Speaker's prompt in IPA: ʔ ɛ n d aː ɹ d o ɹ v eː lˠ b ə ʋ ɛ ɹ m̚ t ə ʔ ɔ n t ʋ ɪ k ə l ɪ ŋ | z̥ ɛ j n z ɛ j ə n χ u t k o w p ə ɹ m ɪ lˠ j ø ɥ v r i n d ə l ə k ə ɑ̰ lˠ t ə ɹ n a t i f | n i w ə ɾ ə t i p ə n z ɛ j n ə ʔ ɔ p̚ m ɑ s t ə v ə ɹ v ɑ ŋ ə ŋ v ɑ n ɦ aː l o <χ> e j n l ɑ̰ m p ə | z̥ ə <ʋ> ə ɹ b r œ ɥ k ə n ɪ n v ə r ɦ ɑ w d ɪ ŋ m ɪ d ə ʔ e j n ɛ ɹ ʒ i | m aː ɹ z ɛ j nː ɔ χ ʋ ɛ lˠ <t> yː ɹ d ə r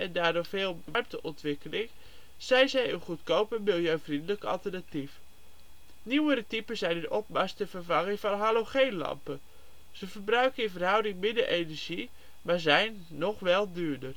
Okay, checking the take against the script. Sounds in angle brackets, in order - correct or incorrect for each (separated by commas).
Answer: correct, incorrect, incorrect